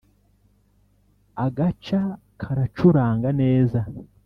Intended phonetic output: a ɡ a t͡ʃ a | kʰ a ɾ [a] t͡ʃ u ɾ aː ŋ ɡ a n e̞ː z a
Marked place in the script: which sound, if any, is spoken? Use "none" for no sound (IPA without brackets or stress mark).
a